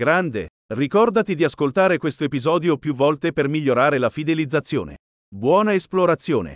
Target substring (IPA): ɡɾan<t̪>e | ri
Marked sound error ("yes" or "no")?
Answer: yes